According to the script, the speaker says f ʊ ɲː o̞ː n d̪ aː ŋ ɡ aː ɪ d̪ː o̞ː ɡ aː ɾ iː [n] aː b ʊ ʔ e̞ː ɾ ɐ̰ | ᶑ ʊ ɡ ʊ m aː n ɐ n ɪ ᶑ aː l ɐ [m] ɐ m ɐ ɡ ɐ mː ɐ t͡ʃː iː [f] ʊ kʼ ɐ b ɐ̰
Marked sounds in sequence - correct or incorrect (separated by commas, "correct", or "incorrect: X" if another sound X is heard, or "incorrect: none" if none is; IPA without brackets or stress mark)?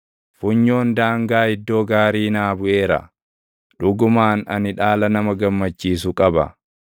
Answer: correct, incorrect: n, incorrect: s